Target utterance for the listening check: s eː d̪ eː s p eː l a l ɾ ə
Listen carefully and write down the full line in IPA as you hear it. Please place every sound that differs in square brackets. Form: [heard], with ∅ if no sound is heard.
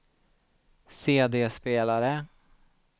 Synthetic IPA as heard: s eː d̪ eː s p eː l a [∅] ɾ ə